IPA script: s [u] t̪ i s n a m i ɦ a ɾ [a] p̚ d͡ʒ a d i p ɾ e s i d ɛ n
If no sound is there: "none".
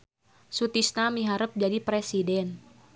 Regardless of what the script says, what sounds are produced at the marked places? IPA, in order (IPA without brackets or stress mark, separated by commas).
u, ə